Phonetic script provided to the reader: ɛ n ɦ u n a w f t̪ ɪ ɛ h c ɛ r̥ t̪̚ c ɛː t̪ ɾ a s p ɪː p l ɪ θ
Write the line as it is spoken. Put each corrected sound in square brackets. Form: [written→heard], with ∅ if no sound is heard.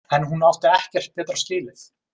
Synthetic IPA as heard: ɛ n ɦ u n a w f t̪ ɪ ɛ h c ɛ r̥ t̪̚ [c→p] ɛː t̪ ɾ a s [p→c] ɪː [p→∅] l ɪ θ